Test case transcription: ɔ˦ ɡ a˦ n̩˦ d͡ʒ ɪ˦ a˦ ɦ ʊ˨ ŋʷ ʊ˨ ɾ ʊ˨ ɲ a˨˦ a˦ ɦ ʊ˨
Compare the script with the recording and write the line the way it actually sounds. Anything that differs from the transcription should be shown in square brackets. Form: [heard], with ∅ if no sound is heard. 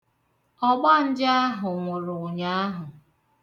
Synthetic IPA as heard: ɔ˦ [ɡ͡b] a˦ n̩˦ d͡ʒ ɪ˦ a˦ ɦ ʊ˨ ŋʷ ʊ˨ ɾ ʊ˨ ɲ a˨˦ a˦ ɦ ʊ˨